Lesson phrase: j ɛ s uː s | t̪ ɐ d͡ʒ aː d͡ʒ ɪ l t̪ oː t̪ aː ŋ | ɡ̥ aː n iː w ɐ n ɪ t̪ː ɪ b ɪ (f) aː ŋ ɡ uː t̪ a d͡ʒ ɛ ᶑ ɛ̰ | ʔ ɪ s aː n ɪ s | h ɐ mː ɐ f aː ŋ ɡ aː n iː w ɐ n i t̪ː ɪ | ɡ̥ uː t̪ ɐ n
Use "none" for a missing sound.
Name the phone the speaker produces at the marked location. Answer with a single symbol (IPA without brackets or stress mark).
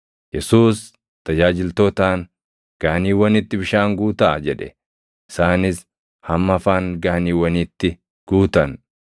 ʃ